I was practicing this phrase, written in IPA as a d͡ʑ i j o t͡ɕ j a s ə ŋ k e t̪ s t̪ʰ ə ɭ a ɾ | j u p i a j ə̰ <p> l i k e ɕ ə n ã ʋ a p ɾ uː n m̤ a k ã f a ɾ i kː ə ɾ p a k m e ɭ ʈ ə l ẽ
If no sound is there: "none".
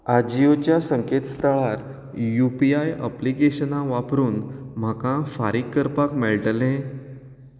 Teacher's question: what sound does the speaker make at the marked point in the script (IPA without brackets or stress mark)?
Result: p